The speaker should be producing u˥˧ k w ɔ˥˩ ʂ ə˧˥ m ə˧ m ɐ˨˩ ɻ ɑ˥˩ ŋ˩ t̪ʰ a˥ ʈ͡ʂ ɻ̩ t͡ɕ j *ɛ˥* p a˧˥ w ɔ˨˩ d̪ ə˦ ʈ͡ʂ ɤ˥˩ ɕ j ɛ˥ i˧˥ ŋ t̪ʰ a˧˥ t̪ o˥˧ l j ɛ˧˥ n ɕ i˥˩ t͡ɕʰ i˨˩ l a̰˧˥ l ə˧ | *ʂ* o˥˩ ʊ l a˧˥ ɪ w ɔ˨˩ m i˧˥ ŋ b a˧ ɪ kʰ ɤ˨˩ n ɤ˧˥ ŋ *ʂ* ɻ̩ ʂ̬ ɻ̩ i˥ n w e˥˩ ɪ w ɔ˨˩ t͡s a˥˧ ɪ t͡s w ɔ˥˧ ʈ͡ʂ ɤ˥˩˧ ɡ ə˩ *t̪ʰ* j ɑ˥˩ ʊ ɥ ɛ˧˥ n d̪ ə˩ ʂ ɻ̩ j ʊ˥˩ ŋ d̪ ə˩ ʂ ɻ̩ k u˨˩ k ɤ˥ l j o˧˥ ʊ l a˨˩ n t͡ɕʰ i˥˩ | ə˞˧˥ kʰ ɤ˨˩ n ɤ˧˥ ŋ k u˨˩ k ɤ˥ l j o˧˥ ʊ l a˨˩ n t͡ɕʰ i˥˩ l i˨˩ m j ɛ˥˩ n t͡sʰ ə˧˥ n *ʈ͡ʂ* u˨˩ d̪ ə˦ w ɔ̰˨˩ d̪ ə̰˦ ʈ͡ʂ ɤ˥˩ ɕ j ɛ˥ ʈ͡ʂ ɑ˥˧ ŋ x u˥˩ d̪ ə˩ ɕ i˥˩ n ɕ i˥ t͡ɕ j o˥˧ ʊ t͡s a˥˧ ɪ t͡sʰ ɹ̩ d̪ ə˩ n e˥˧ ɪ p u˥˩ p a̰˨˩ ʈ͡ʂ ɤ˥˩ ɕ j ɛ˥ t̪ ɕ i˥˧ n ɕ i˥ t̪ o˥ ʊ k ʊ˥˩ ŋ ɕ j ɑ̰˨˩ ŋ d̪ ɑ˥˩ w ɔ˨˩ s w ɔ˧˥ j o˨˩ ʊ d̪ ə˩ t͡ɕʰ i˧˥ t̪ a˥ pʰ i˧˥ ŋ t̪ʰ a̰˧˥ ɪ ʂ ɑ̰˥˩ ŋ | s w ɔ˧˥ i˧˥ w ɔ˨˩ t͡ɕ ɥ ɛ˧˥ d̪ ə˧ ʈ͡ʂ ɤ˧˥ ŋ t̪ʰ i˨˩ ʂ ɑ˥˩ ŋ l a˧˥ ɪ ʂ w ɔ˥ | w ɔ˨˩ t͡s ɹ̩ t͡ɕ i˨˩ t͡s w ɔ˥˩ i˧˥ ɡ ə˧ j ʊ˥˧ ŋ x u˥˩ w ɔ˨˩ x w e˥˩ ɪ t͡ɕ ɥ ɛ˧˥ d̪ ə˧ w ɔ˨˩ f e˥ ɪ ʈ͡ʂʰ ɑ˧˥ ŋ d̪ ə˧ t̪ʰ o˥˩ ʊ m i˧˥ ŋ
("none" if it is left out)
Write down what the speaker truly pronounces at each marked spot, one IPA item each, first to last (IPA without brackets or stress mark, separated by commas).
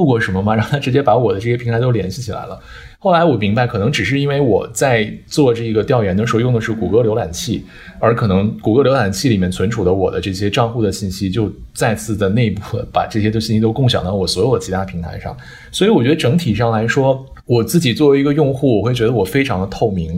ɛ˥, x, ʈ͡ʂ, t̪, ʈ͡ʂʰ